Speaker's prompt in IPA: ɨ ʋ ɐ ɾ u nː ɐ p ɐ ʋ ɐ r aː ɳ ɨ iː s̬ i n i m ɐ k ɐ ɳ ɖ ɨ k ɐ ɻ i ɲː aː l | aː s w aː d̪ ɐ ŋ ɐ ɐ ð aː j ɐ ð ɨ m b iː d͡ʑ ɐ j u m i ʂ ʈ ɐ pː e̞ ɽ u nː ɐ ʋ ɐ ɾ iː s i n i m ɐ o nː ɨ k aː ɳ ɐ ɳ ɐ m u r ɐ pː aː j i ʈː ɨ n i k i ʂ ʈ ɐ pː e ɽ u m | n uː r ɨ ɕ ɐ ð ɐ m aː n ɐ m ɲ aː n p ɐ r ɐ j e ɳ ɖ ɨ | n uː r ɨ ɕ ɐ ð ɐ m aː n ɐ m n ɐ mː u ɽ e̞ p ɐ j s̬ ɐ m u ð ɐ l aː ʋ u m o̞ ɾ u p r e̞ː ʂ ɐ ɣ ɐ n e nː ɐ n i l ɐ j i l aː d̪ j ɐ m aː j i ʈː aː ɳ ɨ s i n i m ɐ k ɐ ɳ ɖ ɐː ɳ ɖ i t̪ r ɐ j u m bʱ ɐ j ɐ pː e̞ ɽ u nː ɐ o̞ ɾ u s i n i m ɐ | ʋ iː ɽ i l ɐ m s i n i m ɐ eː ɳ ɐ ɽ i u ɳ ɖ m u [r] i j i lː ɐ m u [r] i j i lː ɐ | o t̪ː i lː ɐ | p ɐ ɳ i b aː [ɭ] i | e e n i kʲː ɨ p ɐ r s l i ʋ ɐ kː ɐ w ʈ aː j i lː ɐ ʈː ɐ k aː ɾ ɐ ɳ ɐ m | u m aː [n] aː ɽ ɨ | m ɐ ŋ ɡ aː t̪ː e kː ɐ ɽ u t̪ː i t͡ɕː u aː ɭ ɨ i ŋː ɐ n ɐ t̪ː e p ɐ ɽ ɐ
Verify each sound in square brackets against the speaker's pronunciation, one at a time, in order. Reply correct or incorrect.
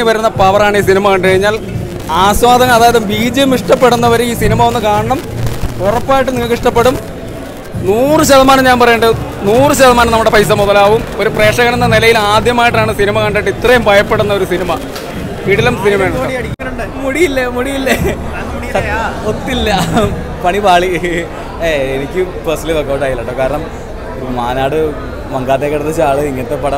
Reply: incorrect, incorrect, correct, correct

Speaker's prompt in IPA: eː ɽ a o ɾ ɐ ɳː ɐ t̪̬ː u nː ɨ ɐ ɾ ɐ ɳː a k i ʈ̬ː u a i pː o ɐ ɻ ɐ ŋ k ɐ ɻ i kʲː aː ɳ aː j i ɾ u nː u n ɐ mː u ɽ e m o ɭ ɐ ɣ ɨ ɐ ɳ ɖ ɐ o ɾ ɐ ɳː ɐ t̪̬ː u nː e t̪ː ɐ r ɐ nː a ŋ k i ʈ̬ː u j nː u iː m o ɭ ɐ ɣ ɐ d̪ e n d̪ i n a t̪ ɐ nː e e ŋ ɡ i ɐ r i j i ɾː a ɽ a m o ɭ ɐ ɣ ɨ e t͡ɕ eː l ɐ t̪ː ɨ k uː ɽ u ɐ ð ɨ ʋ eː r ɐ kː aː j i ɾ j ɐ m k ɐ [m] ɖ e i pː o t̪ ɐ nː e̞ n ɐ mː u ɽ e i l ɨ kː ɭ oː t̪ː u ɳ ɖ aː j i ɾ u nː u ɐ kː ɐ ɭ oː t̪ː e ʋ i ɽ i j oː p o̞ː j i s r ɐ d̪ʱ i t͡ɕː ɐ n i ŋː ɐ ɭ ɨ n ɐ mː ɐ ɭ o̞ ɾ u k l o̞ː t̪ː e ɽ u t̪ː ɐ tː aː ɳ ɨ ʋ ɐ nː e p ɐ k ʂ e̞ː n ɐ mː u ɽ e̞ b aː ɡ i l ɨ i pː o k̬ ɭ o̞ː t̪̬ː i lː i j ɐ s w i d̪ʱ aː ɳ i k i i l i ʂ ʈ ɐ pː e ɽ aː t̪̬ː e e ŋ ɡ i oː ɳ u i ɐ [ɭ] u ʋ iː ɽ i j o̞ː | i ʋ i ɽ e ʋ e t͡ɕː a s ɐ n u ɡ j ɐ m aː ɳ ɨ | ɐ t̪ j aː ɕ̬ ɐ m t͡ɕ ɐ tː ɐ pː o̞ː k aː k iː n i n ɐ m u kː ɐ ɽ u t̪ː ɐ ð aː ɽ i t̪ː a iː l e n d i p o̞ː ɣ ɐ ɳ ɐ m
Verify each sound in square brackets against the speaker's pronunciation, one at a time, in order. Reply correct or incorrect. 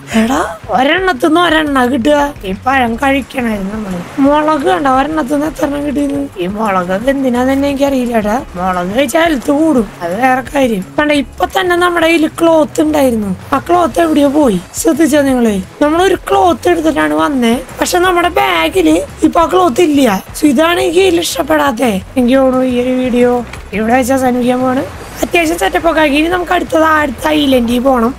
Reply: incorrect, incorrect

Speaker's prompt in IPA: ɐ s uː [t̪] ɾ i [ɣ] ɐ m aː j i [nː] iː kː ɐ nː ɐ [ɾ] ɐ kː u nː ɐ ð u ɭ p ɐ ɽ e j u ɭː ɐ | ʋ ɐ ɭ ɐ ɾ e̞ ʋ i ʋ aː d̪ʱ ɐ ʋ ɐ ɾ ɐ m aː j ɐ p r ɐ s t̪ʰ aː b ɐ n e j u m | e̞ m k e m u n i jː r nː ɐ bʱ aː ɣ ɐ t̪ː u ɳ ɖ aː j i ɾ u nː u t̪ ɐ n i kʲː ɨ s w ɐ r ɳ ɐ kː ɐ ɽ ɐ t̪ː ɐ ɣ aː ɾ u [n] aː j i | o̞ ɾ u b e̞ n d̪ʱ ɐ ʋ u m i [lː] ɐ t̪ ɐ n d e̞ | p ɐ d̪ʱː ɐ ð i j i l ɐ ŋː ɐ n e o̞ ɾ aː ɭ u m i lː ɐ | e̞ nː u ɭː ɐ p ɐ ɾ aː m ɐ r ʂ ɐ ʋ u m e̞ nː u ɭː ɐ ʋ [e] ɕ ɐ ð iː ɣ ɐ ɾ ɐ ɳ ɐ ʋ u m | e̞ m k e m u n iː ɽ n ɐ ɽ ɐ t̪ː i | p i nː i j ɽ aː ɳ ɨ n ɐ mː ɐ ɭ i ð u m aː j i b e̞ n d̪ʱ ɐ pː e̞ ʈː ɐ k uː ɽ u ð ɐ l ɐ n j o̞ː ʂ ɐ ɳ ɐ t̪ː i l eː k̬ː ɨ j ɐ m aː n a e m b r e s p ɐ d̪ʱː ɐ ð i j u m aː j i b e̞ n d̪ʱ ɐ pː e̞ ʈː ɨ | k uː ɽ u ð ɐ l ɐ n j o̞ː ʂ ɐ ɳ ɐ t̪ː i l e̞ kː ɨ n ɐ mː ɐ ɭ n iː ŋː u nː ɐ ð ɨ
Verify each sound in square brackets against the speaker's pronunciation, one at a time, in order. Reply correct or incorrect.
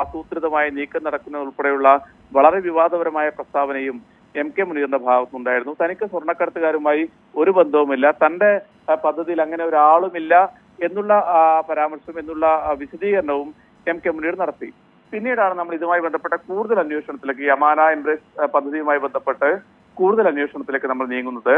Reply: correct, incorrect, incorrect, incorrect, incorrect, correct, incorrect

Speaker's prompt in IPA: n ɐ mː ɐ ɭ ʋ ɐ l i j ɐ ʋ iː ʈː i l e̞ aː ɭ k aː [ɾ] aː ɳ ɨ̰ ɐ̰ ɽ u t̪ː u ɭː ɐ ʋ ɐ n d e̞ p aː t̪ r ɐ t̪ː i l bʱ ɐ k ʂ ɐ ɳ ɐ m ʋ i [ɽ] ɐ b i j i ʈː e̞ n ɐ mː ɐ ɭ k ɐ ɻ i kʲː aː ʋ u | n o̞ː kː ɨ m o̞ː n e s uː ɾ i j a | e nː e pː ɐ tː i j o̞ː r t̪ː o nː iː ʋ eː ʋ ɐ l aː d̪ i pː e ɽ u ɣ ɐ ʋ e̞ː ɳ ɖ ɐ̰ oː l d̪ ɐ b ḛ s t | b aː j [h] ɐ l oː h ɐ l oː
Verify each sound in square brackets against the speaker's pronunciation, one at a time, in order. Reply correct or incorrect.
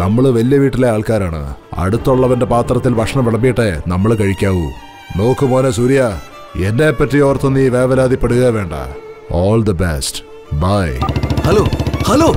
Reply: correct, incorrect, correct

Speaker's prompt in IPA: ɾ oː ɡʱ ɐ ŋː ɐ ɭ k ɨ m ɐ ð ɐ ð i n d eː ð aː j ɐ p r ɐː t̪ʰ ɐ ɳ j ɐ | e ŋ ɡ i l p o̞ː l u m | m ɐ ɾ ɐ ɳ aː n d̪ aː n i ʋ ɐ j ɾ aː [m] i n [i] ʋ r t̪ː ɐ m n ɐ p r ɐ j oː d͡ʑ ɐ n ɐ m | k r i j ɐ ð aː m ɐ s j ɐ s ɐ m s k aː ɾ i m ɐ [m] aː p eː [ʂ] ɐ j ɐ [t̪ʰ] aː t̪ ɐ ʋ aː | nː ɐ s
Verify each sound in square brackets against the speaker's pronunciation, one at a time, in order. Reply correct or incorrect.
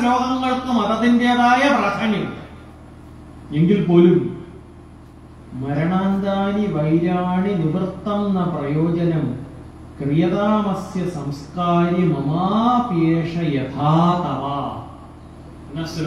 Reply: incorrect, correct, correct, correct, correct

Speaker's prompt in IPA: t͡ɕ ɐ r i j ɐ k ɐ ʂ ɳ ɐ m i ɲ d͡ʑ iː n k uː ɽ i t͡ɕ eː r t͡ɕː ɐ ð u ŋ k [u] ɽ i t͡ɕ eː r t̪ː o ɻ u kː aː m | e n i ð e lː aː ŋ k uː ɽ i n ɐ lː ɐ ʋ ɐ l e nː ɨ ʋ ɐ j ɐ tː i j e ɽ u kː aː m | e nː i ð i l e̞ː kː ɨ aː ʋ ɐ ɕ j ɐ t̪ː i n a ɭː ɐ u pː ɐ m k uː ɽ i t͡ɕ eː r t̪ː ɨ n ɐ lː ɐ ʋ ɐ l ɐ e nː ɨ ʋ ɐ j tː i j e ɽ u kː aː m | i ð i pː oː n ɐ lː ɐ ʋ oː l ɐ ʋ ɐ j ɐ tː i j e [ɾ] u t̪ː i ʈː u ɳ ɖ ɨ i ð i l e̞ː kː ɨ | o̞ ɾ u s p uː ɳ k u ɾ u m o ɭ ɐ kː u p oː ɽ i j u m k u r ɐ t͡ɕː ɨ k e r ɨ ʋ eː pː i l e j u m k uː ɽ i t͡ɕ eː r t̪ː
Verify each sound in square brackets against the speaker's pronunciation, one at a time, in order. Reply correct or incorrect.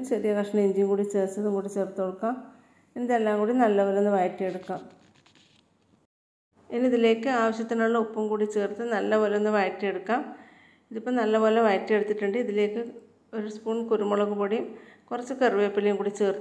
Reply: incorrect, incorrect

